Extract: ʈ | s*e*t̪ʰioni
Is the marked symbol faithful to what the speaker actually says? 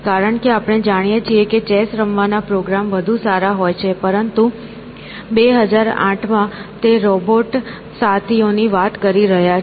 no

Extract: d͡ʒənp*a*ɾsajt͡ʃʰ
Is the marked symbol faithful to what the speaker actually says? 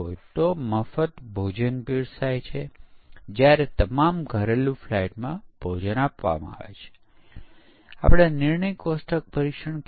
no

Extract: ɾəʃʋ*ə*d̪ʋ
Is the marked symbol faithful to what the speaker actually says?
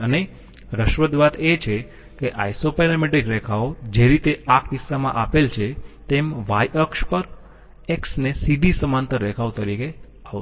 yes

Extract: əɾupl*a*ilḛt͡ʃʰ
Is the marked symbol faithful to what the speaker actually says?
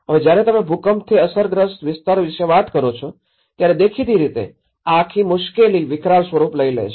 no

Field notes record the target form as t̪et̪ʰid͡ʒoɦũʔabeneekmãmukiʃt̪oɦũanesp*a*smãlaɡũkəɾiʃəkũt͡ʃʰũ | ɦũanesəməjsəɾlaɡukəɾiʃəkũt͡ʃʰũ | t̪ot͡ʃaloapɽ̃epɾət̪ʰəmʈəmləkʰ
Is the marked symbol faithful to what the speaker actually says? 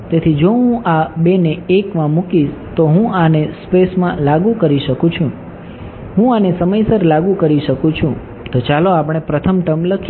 no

